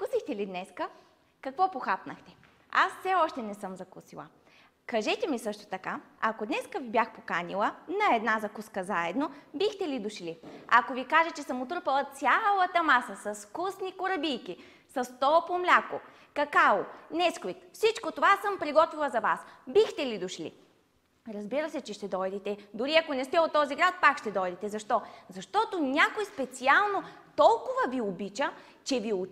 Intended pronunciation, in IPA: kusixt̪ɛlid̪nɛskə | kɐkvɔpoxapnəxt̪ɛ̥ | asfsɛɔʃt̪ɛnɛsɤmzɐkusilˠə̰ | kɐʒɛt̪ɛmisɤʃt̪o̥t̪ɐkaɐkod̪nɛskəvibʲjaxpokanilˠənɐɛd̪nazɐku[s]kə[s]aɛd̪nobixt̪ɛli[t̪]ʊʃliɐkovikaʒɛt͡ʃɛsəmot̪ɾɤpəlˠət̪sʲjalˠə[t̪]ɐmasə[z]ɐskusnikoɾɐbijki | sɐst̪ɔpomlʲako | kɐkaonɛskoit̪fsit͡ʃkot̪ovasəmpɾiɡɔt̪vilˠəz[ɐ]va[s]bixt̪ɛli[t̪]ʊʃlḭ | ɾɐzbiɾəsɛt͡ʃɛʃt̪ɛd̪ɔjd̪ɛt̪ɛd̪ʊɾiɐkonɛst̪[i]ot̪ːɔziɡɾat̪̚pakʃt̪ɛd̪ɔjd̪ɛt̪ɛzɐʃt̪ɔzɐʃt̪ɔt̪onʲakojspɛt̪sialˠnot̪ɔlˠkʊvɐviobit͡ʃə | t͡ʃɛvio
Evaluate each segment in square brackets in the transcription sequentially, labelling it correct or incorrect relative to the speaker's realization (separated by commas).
correct, incorrect, incorrect, correct, incorrect, correct, correct, incorrect, incorrect